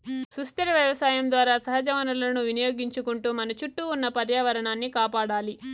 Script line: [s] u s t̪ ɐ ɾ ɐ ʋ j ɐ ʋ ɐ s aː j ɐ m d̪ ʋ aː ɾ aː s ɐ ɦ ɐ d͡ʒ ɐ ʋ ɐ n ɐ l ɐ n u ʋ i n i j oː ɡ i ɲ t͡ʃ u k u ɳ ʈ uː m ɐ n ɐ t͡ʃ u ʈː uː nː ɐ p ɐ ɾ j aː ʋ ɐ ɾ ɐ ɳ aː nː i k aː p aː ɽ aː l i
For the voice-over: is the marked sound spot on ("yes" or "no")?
yes